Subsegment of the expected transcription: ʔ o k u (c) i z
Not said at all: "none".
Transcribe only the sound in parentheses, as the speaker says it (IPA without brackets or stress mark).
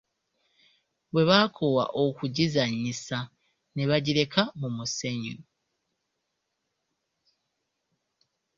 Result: ɟ